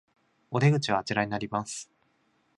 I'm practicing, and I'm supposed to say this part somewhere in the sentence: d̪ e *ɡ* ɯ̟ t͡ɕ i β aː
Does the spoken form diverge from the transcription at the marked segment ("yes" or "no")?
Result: no